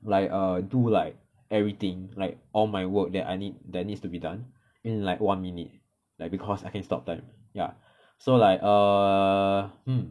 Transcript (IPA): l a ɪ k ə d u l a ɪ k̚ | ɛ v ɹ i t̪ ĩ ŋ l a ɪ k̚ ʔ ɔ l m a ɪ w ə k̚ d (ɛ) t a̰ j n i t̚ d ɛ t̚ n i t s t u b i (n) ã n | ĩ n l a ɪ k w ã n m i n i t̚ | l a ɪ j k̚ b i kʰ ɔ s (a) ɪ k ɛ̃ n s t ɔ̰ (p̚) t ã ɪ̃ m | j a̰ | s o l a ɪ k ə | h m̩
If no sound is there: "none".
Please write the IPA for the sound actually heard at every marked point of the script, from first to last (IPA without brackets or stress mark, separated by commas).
ɛ, d, a, p̚